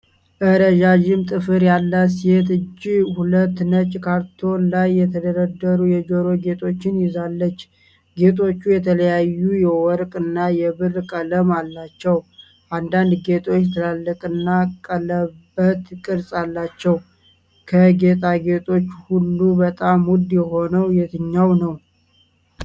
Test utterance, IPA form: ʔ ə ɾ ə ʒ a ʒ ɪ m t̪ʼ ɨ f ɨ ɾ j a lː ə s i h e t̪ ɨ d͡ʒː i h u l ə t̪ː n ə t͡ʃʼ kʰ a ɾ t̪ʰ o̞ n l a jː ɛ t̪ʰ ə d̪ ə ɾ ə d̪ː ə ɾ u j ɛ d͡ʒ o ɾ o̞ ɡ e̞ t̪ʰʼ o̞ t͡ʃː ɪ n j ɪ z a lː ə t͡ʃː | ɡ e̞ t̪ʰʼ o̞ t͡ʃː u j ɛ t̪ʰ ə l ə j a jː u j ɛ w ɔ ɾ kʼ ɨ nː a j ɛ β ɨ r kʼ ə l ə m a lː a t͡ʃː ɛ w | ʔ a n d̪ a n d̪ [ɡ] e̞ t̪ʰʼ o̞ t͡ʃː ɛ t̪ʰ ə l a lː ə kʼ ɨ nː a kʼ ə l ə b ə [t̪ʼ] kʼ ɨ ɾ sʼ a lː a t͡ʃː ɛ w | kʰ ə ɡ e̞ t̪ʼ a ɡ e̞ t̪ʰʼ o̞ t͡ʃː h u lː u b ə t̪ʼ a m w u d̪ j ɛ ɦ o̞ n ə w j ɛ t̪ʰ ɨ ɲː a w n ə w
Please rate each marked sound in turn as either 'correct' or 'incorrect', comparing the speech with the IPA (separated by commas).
correct, incorrect